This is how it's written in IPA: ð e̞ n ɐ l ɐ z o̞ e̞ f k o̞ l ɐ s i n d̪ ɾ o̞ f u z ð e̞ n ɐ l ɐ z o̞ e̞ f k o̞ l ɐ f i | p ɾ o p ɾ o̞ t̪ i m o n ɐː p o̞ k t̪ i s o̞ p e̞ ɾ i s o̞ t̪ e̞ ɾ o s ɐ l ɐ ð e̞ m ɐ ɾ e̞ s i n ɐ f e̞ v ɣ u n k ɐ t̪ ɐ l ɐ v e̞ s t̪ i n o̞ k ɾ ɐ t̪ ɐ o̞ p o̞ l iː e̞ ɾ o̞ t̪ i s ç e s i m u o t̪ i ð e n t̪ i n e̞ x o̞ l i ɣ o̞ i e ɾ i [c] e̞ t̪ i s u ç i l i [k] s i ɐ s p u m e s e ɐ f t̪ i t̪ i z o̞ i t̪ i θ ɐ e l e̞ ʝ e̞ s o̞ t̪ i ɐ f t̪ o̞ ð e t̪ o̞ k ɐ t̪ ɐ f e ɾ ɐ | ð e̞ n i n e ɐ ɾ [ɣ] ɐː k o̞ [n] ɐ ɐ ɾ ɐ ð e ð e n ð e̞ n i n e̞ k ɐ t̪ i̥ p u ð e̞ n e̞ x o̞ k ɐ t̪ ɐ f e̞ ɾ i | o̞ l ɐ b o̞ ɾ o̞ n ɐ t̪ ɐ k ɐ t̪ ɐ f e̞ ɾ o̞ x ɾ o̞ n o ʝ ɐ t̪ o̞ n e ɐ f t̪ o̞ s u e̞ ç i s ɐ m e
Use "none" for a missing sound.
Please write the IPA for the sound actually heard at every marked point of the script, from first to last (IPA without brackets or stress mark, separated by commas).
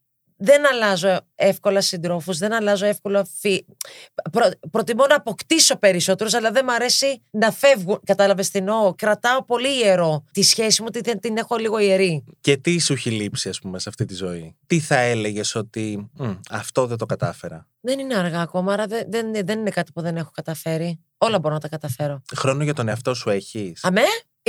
c, p, ɣ, m